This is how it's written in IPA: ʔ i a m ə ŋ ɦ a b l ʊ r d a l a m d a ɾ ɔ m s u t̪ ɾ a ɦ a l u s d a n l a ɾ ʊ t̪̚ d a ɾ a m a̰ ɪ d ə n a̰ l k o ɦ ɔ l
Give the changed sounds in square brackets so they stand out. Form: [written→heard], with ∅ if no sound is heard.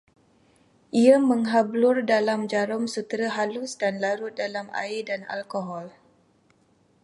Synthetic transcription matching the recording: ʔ i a m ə ŋ ɦ a b l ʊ r d a l a m [d→d͡ʒ] a ɾ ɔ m s u t̪ ɾ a ɦ a l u s d a n l a ɾ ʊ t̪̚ d a [ɾ→l] a m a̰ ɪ d [ə→a] n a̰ l k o ɦ ɔ l